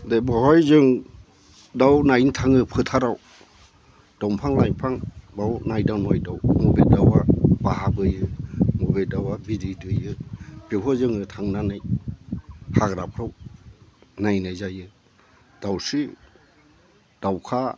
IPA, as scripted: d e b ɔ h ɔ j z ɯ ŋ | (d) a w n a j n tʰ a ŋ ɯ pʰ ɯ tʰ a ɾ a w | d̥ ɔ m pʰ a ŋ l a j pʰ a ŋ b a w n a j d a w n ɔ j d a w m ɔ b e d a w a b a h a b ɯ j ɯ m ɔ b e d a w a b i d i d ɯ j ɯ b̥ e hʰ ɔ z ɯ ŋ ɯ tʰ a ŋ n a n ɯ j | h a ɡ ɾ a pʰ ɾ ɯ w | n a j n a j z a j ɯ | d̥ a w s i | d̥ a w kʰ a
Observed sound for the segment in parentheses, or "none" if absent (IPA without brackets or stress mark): d